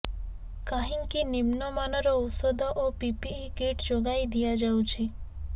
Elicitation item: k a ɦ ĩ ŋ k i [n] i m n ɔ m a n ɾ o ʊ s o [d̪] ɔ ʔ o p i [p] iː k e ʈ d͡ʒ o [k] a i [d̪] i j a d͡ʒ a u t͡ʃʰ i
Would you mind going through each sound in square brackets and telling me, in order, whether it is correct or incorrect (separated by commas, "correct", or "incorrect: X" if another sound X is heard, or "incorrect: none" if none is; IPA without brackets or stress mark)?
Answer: correct, correct, correct, incorrect: ɡ, correct